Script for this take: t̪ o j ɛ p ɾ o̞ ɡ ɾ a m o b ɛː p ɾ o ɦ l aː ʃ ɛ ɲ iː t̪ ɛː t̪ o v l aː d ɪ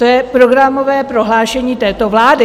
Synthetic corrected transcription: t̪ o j ɛ p ɾ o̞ ɡ ɾ a m o v ɛː p ɾ o ɦ l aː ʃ ɛ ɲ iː t̪ ɛː t̪ o v l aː d ɪ